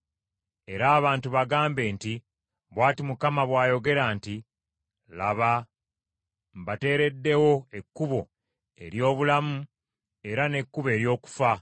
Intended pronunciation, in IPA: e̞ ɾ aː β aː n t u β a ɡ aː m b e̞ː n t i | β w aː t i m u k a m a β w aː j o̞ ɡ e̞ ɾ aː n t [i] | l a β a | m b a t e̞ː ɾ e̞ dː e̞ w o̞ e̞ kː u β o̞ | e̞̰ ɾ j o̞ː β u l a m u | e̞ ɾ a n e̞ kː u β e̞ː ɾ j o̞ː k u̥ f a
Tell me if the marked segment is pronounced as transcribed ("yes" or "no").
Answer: yes